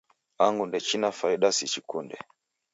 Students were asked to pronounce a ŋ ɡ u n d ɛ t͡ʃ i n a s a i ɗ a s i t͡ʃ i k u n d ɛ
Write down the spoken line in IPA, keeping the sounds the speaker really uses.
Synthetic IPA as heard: a ŋ ɡ u n d ɛ t͡ʃ i n a f a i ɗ a s i t͡ʃ i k u n d ɛ